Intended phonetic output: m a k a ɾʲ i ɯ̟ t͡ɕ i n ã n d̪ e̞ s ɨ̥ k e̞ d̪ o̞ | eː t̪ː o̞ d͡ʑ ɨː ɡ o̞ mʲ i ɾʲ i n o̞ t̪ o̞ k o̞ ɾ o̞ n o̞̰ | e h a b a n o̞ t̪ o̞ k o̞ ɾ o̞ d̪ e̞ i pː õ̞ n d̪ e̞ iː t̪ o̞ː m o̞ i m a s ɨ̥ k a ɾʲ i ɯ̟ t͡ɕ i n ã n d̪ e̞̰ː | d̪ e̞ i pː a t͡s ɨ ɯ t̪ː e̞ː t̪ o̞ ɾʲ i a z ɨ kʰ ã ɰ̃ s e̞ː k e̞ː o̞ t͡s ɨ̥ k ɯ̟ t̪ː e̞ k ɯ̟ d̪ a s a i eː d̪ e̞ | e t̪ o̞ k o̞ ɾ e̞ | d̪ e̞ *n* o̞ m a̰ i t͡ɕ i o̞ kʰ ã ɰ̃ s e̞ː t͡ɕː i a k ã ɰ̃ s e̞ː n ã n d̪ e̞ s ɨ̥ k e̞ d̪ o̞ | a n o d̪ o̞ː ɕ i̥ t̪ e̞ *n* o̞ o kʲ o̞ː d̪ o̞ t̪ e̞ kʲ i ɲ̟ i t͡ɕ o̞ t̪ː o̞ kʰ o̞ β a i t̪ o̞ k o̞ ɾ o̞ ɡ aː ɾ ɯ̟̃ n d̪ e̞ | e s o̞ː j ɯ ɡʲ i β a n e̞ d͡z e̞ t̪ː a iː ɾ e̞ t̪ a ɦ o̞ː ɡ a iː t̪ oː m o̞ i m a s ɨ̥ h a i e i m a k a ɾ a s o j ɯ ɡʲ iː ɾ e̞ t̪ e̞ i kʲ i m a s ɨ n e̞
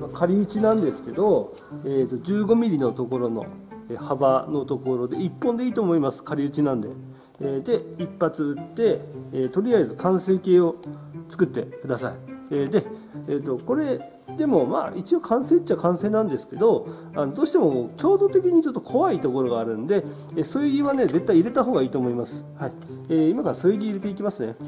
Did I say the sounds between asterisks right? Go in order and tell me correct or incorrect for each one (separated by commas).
incorrect, incorrect